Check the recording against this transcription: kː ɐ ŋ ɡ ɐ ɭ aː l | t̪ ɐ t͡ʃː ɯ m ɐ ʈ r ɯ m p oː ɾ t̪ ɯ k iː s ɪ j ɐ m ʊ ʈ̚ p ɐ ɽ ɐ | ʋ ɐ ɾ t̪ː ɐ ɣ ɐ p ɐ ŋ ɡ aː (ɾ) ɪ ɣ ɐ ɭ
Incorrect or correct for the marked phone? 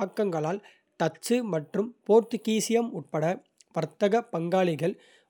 incorrect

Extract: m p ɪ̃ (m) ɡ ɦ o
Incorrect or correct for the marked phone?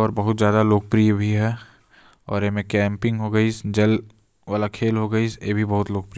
incorrect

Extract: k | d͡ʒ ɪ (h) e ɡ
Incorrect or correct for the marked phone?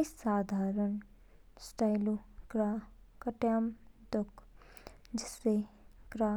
incorrect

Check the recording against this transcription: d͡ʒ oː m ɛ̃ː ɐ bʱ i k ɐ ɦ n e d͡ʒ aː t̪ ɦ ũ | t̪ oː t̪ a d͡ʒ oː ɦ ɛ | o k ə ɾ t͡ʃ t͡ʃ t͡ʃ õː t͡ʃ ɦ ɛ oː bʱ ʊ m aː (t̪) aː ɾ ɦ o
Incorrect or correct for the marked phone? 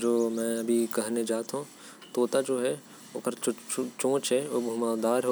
incorrect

